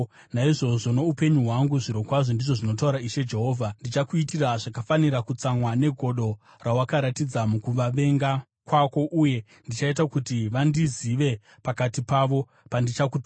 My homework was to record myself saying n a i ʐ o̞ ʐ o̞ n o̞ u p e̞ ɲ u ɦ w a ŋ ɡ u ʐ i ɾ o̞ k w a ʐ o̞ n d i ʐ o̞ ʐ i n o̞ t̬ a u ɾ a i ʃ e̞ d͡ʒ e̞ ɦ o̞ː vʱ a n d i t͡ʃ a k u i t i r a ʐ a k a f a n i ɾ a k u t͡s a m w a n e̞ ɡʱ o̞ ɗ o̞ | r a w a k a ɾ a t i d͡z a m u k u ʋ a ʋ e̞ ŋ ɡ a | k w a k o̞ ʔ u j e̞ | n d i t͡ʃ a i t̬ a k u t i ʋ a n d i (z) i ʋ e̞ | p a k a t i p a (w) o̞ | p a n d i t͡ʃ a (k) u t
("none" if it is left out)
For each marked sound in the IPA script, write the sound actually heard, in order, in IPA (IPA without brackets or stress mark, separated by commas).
z, ʋ, k